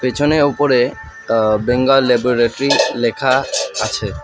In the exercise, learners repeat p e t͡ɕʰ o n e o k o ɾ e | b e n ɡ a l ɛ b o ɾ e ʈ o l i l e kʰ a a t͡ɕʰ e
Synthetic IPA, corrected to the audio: p e t͡ɕʰ o n e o p o ɾ e | b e ŋ ɡ a l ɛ b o ɾ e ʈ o ɾ i l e kʰ a a t͡ɕʰ e